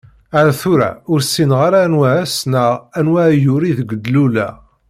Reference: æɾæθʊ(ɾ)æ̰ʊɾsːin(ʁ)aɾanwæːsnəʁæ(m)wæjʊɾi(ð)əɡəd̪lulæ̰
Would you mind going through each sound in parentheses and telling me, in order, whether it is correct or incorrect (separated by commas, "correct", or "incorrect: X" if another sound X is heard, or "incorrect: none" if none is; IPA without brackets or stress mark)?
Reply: correct, correct, incorrect: n, correct